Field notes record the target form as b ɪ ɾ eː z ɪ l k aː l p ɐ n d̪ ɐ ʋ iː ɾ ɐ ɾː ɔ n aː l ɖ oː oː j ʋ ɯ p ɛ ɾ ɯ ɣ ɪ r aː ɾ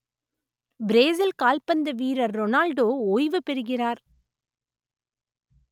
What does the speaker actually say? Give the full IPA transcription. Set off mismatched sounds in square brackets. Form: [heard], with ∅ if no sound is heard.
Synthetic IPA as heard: b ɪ ɾ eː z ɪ l k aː l p ɐ n d̪ ɐ ʋ iː ɾ ɐ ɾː ɔ n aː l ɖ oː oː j ʋ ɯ p ɛ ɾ ɯ ɣ ɪ r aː ɾ